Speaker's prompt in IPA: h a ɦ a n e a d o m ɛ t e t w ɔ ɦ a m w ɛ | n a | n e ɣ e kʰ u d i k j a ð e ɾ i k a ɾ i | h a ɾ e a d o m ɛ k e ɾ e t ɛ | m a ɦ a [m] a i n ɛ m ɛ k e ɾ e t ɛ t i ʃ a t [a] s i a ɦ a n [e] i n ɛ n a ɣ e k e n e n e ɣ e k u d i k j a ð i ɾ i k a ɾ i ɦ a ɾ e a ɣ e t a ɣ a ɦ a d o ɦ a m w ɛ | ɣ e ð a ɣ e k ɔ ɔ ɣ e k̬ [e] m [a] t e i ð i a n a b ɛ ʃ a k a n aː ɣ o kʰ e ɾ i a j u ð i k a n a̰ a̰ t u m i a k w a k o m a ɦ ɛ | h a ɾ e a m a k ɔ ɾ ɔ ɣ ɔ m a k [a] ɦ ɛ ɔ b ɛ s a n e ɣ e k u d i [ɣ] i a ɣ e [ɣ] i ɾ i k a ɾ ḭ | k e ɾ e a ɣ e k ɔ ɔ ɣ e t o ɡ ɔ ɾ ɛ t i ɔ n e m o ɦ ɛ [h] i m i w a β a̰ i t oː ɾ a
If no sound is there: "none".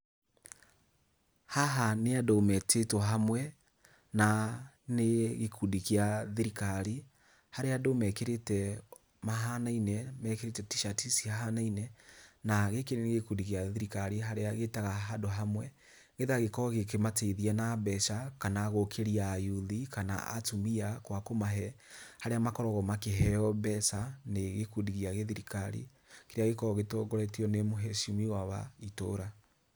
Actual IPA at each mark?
n, i, a, e, a, e, ɣ, ð, ʃ

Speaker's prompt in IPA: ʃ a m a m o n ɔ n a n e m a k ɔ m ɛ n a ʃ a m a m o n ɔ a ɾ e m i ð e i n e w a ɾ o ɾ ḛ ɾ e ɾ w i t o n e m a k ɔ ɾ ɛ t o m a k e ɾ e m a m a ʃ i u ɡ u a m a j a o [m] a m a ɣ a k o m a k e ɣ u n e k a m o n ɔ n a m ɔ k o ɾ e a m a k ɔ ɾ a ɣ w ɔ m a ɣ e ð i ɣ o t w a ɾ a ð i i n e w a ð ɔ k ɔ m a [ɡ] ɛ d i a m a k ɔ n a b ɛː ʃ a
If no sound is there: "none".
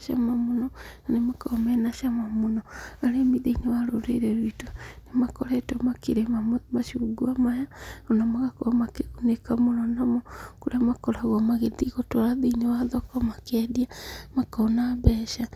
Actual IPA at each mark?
n, k

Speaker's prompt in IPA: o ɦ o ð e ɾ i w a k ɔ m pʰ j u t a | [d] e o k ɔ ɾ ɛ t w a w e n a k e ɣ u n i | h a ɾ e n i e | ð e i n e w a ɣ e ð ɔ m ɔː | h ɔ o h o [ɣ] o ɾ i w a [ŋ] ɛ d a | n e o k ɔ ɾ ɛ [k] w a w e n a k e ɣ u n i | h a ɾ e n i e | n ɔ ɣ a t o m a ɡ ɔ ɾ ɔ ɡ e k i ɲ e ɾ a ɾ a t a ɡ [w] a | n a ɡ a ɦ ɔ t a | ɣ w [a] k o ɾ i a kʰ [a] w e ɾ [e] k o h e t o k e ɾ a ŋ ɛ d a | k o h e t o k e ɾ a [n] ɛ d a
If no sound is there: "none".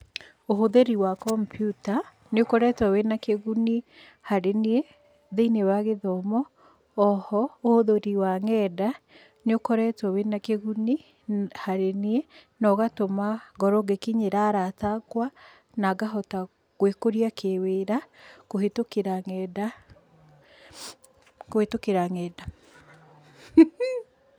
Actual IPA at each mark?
n, ð, ŋ, t, w, e, e, a, ŋ

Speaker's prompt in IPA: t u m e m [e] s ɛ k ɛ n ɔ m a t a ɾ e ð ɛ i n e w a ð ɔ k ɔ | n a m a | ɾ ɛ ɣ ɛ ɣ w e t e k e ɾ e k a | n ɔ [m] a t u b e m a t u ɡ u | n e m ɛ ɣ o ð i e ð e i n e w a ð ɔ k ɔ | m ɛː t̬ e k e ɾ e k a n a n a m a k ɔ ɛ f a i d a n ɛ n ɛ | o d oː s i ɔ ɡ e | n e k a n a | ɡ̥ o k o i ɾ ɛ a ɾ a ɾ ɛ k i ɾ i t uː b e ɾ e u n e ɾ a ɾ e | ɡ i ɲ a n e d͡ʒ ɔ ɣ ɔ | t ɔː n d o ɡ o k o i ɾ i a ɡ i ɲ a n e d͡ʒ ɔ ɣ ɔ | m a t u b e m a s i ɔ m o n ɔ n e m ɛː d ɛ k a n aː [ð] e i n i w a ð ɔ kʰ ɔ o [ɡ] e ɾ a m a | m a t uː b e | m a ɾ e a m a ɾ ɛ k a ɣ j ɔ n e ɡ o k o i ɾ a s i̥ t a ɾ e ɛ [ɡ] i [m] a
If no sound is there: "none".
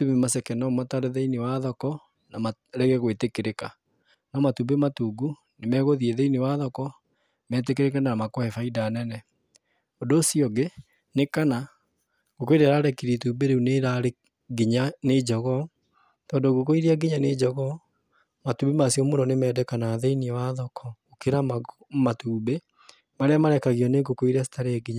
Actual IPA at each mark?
a, m, ð, k, ɡ, ɲ

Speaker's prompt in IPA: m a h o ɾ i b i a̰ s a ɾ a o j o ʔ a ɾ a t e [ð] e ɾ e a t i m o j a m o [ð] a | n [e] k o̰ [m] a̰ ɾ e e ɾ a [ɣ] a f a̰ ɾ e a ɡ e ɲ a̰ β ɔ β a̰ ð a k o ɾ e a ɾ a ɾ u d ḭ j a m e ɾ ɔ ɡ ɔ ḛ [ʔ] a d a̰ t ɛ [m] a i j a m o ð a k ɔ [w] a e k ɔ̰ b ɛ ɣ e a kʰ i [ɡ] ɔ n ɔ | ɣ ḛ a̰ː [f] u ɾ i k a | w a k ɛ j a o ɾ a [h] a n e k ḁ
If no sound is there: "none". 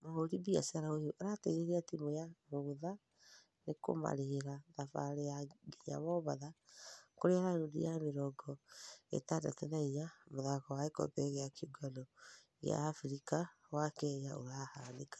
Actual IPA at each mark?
ɣ, ð, e, m, ð, t, n, w, ɡ, f, h

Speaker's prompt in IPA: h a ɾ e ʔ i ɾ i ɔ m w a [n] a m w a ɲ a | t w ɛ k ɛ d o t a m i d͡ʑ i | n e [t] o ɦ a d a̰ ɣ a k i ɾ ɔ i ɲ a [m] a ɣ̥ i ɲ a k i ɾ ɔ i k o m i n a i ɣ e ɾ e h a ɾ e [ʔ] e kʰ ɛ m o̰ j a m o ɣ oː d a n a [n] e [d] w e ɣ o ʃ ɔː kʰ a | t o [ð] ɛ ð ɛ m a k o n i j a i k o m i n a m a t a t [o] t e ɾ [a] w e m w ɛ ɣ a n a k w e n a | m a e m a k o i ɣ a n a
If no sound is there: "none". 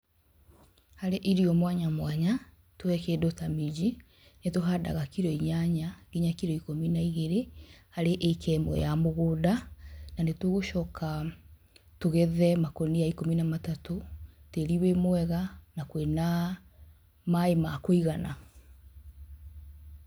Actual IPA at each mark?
ɲ, t, ɲ, ʔ, n, t, ɣ, o, i

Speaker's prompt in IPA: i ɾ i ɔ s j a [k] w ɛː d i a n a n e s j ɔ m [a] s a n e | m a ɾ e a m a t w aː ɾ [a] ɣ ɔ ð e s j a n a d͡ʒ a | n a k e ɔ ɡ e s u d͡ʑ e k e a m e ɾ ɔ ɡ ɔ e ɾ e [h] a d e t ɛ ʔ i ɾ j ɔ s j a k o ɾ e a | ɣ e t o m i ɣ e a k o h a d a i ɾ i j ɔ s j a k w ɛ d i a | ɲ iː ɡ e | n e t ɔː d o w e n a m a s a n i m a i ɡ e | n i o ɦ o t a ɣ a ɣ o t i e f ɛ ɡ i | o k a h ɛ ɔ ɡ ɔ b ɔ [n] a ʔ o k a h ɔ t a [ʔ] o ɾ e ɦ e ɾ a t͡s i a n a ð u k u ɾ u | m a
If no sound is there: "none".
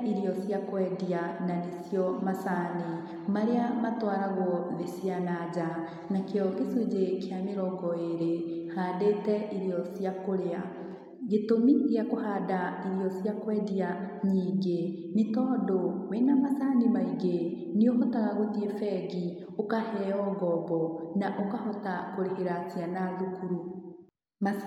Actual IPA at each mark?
k, a, a, h, n, k

